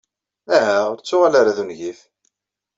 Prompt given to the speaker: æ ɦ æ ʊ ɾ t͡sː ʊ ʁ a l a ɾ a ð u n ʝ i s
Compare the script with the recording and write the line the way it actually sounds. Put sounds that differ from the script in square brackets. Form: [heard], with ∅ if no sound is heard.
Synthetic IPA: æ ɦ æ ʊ ɾ t͡sː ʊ ʁ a l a ɾ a ð u n ʝ i [θ]